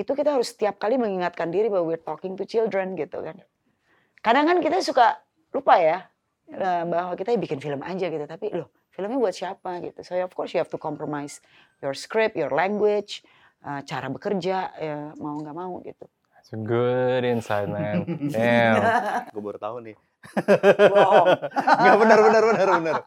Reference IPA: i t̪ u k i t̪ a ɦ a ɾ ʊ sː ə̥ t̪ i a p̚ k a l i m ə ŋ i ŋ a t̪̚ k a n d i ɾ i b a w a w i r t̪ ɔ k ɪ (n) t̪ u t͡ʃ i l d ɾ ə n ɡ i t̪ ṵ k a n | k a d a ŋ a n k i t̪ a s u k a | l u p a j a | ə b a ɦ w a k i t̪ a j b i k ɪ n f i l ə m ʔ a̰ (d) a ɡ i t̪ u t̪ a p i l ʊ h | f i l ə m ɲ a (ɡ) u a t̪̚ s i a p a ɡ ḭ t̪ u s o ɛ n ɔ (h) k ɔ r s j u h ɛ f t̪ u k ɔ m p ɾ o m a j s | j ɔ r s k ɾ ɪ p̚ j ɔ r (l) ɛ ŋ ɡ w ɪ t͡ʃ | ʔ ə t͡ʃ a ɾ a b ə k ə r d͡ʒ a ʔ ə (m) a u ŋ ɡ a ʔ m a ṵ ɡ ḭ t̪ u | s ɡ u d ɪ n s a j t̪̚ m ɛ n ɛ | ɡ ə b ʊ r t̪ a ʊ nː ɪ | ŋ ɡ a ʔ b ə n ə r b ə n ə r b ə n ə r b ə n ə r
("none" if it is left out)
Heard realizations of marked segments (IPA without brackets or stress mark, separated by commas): ŋ, d͡ʒ, b, f, l, m